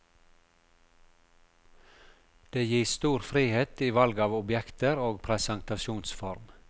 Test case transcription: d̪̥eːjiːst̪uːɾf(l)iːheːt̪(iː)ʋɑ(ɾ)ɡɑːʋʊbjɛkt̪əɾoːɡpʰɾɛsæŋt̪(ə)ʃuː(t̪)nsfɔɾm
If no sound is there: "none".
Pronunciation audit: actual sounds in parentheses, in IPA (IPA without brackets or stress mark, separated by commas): ɾ, iː, l, ɑ, none